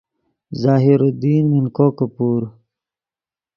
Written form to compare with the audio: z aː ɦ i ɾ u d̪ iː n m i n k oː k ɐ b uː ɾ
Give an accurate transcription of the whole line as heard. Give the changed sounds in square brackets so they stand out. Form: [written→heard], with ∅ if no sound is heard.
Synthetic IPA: z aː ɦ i ɾ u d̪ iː n m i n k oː k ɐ [b→p] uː ɾ